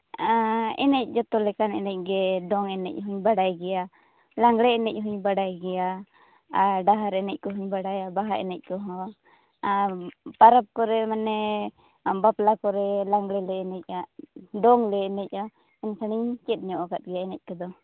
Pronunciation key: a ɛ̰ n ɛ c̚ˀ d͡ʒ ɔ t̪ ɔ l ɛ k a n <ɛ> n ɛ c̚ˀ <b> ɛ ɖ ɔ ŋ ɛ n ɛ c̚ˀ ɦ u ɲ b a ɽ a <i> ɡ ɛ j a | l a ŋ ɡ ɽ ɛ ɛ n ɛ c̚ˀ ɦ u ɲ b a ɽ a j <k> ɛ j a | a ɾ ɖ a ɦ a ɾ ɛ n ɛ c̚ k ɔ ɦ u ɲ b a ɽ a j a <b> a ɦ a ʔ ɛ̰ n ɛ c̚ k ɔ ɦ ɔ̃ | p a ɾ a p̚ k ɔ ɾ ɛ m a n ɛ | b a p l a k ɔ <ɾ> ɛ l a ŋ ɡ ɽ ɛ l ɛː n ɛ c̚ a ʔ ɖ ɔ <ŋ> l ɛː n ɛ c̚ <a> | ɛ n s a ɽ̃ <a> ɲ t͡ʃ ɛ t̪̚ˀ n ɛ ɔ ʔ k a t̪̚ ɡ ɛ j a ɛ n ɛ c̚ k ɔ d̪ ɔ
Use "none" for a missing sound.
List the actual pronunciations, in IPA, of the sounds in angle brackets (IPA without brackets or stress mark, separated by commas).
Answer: ɛ, ɡ, j, ɡ, b, ɾ, ŋ, a, i